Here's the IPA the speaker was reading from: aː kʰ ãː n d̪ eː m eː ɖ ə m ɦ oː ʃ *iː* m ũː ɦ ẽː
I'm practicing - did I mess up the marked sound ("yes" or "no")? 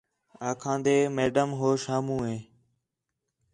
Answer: yes